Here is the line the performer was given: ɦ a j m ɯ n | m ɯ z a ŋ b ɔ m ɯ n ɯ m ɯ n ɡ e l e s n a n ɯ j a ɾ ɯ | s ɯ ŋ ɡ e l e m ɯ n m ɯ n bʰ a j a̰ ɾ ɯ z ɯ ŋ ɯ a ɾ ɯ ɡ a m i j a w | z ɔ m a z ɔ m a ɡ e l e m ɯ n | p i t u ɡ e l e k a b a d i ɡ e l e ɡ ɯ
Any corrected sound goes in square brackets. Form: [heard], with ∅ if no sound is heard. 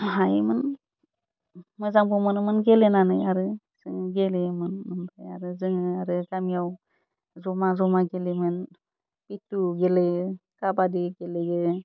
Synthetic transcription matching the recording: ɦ a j m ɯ n | m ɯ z a ŋ b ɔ m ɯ n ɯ m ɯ n ɡ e l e [∅] n a n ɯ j a ɾ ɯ | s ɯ ŋ ɡ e l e m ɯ n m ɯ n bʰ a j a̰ ɾ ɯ z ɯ ŋ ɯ a ɾ ɯ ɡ a m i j a w | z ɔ m a z ɔ m a ɡ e l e m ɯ n | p i t u ɡ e l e k a b a d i ɡ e l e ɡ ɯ

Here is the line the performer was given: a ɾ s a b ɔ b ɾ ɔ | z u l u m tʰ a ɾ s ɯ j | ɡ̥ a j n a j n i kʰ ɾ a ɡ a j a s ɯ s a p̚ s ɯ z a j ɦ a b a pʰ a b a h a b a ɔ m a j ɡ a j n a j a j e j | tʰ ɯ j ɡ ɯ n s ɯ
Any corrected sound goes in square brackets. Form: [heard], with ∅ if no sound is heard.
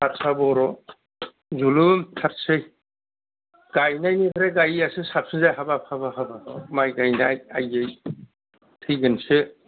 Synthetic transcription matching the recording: a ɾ s a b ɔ [∅] ɾ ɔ | z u l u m tʰ a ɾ s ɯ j | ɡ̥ a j n a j n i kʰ ɾ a ɡ a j a s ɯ s a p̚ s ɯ z a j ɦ a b a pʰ a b a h a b a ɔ m a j ɡ a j n a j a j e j | tʰ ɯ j ɡ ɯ n s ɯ

